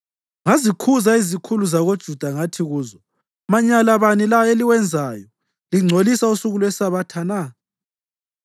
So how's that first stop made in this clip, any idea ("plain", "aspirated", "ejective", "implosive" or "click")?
aspirated